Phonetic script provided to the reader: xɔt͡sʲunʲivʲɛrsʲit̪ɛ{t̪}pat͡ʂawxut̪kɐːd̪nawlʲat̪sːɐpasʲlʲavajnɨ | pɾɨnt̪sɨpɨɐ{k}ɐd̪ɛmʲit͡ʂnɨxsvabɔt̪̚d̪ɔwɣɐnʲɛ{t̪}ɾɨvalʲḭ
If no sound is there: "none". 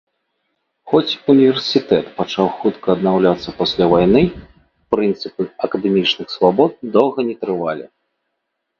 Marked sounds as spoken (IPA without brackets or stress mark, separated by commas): t̪, k, t̪